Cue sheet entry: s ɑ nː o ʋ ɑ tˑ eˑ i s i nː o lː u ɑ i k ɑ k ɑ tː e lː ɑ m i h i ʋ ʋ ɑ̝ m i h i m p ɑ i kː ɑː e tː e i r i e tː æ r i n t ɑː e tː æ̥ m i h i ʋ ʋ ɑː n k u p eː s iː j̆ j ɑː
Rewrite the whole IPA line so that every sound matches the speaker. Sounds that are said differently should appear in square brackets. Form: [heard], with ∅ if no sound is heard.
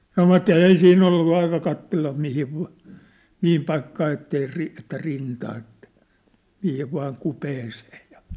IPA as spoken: s ɑ [n] o ʋ ɑ tˑ eˑ i s [iː] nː o lː u ɑ i k ɑ k ɑ tː e lː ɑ m i h i ʋ ʋ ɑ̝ m i h i m p ɑ i kː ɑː e tː e i r i e tː æ r i n t ɑː e tː æ̥ m i h i ʋ ʋ ɑː [ŋ] k u p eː s [eː] j̆ j [ɑ]